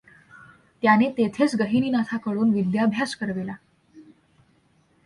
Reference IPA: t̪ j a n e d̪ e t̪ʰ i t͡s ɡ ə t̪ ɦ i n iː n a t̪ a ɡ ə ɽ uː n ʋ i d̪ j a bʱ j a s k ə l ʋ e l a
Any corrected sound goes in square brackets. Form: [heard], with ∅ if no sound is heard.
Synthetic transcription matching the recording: t̪ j a n e [t̪] e t̪ʰ [e] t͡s ɡ ə [∅] ɦ i n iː n a [t̪ʰ] a [k] ə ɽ uː n ʋ i d̪ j a bʱ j a s k ə [ɾ] ʋ e l a